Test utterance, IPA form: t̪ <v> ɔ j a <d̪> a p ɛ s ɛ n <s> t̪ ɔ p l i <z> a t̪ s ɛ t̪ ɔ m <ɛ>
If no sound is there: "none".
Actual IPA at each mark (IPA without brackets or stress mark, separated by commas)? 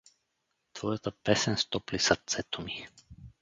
v, t̪, s, s, i